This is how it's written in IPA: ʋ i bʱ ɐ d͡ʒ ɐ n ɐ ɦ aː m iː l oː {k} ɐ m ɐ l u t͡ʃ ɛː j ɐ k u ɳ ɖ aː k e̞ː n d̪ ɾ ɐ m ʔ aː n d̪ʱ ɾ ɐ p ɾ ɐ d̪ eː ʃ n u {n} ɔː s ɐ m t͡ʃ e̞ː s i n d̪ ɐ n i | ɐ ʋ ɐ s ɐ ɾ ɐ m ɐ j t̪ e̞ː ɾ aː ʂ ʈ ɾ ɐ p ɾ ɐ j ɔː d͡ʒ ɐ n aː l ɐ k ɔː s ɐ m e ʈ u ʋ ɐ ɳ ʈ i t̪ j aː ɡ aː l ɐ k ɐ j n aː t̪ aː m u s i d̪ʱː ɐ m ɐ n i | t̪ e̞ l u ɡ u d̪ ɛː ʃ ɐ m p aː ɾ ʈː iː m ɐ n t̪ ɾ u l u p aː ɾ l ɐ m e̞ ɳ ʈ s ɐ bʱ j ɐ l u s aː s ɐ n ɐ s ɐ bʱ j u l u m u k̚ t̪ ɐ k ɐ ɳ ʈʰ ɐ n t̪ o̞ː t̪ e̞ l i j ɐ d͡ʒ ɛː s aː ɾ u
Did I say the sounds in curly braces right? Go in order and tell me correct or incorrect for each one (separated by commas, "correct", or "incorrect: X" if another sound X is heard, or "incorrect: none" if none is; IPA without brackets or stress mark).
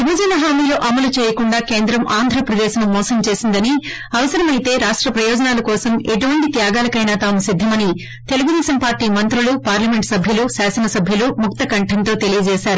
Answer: incorrect: ʔ, incorrect: m